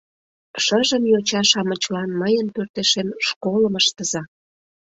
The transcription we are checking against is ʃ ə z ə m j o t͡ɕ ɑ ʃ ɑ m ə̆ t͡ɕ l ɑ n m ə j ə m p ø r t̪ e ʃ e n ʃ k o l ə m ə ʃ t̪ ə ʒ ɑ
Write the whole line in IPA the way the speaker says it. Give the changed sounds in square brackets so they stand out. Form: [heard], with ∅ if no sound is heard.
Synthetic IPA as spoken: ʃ ə [ʒ] ə m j o t͡ɕ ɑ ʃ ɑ m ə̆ t͡ɕ l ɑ n m ə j ə [n] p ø r t̪ e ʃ e n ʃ k o l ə m ə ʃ t̪ ə [z] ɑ